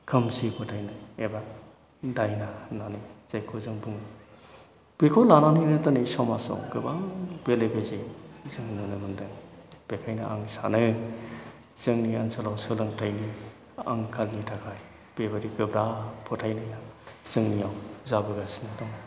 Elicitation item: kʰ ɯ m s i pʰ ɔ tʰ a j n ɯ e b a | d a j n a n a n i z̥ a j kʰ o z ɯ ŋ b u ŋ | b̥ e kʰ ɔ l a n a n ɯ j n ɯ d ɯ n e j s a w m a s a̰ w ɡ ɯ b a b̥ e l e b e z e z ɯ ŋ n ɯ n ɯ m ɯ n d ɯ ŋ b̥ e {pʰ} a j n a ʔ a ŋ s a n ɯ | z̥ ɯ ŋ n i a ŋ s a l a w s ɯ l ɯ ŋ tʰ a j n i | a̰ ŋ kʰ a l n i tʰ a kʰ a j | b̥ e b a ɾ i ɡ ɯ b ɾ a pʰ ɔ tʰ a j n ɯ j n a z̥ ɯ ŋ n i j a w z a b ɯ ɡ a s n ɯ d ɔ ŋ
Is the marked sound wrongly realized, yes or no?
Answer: yes